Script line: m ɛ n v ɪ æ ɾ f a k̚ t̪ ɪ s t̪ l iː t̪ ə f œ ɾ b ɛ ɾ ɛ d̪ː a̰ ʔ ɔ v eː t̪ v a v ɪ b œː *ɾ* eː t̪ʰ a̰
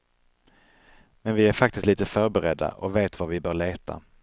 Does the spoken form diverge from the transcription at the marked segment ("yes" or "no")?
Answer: yes